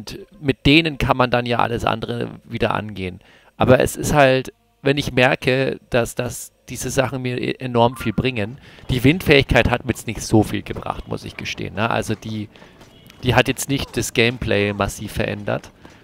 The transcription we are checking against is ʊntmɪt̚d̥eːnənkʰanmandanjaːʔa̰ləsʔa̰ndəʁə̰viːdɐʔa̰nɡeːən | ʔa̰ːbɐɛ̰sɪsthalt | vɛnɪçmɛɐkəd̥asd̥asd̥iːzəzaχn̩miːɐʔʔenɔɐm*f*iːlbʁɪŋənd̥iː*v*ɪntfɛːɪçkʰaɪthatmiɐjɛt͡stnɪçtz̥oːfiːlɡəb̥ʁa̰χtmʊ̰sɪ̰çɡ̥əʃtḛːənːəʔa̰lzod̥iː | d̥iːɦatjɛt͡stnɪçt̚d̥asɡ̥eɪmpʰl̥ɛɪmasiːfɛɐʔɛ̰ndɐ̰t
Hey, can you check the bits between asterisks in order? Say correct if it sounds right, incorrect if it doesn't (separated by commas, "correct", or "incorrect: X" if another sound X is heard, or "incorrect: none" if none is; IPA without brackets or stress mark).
correct, correct